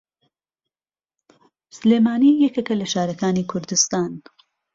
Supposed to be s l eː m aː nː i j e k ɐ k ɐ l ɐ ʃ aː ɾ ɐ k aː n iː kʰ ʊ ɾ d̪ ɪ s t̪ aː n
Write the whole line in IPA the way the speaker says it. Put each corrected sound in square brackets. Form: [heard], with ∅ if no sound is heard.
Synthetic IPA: s l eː m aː [n] i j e k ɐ k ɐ l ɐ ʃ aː ɾ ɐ k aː n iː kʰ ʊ ɾ d̪ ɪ s t̪ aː n